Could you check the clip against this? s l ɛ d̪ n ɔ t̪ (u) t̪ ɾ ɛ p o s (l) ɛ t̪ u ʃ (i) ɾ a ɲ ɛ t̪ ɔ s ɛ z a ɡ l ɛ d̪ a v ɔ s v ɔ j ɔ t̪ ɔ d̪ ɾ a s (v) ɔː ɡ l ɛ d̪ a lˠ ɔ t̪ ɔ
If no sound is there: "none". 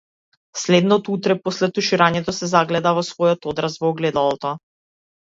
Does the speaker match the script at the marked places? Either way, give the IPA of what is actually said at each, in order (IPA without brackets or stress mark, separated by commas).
u, l, i, v